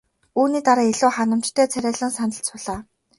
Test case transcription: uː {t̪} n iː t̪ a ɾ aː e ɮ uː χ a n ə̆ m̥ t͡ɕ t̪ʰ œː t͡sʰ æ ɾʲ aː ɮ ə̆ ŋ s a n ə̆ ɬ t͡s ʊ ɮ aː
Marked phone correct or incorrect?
incorrect